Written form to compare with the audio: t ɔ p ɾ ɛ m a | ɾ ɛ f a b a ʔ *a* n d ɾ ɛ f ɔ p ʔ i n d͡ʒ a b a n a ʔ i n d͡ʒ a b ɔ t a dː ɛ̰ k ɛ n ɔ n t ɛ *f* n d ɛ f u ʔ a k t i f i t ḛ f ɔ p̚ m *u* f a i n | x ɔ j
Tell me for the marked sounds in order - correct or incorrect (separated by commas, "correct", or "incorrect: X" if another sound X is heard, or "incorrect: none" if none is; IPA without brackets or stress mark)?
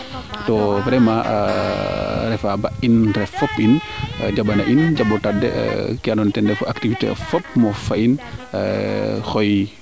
incorrect: i, incorrect: none, incorrect: ɔ